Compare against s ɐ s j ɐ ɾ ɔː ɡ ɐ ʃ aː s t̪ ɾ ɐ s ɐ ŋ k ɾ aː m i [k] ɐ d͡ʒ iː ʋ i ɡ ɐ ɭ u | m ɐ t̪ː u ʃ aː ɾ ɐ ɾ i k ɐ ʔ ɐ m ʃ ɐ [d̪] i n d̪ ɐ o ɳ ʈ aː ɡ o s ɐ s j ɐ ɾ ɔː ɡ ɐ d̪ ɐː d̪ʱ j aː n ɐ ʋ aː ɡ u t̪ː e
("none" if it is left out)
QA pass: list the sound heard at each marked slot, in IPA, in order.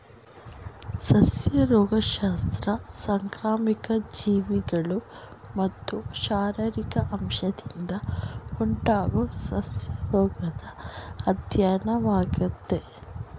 k, d̪

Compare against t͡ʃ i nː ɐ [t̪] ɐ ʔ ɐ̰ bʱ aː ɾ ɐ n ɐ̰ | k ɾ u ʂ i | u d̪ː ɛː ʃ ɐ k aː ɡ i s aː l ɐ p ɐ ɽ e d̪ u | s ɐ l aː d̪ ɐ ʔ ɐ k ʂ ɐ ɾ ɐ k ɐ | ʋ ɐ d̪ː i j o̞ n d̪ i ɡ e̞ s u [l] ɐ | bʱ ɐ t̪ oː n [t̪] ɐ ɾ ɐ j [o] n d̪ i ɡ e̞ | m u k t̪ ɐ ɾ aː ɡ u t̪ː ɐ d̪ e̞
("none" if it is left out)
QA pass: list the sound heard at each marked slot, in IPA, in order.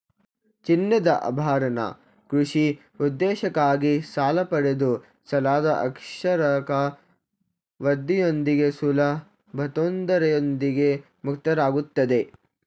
d̪, l, d̪, o

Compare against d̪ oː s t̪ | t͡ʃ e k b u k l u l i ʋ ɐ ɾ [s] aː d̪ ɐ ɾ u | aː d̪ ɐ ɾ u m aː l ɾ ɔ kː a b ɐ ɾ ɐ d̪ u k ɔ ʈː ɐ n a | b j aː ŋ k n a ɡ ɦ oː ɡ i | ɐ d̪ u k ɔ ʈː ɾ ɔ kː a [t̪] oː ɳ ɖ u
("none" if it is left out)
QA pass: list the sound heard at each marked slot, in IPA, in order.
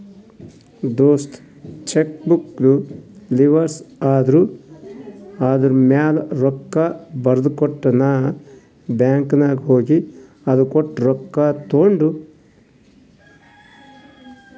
s, t̪

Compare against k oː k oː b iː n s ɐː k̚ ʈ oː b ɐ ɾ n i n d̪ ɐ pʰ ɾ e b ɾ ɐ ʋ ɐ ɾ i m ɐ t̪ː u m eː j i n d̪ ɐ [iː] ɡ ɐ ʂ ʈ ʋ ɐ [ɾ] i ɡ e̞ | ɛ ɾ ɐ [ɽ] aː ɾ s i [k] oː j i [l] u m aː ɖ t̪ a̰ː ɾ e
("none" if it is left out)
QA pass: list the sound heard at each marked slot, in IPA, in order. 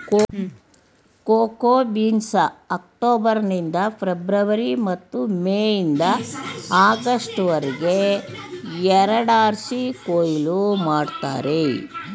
aː, ɾ, ɽ, k, l

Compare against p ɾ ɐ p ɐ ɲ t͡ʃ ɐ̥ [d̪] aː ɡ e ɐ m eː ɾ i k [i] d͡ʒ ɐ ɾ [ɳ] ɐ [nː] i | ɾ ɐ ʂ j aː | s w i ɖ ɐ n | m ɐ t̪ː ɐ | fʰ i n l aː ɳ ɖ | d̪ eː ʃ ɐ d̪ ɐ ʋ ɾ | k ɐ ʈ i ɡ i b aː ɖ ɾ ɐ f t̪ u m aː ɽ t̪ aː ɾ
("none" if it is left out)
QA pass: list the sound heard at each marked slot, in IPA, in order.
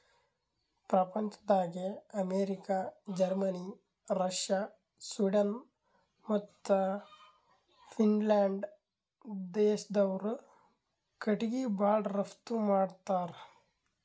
d̪, a, m, n

